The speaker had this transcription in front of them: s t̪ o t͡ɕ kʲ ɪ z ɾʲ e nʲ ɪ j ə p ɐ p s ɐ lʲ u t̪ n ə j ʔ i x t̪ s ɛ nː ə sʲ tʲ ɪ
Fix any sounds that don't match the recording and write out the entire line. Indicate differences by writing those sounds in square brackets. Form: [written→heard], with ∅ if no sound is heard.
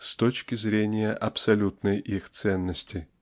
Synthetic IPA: s t̪ o t͡ɕ kʲ ɪ z ɾʲ e nʲ ɪ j ə [p→ʔ] ɐ p s ɐ lʲ u t̪ n ə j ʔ i x t̪ s ɛ nː ə sʲ tʲ ɪ